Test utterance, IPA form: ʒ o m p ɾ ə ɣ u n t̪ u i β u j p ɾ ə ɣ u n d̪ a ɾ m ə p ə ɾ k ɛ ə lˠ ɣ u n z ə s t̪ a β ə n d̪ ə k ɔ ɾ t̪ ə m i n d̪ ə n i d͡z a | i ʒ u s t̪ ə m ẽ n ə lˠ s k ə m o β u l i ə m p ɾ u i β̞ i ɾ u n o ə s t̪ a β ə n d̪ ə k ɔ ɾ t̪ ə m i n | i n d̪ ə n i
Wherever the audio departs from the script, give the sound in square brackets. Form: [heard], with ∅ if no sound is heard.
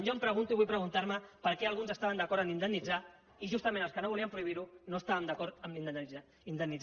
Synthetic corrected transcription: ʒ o m p ɾ ə ɣ u n t̪ u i β u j p ɾ ə ɣ u n [t̪] a ɾ m ə p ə ɾ k ɛ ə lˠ ɣ u n z ə s t̪ a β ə n d̪ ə k ɔ ɾ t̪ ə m i n d̪ ə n i d͡z a | i ʒ u s t̪ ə m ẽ n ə lˠ s k ə [n] o β u l i ə m p ɾ u i β̞ i ɾ u n o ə s t̪ a β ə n d̪ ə k ɔ ɾ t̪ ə m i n | i n d̪ ə n i